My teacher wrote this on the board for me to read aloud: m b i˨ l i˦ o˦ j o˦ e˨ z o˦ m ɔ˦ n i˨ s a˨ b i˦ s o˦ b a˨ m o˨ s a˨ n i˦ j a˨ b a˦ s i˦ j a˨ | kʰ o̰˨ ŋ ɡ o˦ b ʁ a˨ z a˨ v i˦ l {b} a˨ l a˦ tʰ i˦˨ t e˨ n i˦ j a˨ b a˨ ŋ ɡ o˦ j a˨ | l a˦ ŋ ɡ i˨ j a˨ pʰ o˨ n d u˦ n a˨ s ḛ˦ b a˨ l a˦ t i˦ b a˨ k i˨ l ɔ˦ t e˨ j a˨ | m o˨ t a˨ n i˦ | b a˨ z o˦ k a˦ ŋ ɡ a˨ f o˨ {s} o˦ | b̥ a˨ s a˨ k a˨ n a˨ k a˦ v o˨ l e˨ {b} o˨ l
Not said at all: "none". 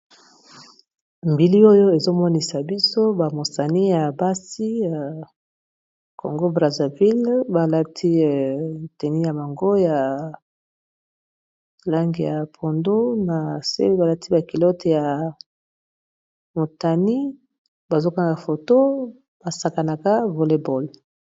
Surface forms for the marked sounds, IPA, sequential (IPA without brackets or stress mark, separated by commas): b, t, b